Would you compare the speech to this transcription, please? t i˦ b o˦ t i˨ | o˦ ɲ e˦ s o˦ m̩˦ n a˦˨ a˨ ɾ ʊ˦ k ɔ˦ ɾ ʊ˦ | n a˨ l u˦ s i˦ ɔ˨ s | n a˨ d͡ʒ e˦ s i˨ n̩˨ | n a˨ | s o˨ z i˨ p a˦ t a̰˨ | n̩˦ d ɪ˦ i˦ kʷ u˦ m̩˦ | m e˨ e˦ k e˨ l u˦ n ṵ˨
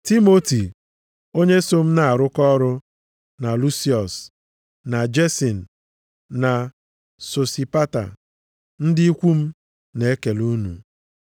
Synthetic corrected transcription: t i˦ m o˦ t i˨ | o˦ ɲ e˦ s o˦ m̩˦ n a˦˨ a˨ ɾ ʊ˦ k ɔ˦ ɾ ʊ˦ | n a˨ l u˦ s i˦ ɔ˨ s | n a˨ d͡ʒ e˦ s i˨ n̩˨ | n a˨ | s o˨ s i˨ p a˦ t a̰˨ | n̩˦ d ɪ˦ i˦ kʷ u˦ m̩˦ | n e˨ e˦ k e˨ l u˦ n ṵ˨